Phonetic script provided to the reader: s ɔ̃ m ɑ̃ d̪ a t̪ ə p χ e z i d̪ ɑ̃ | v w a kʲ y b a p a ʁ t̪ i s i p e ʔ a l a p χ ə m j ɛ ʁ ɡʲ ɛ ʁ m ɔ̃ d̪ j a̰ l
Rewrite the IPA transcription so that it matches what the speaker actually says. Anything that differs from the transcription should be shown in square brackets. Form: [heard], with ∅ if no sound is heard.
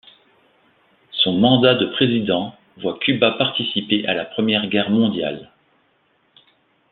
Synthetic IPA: s ɔ̃ m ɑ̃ d̪ a [d̪] ə p χ e z i d̪ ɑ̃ | v w a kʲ y b a p a ʁ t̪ i s i p e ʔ a l a p χ ə m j ɛ ʁ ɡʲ ɛ ʁ m ɔ̃ d̪ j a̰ l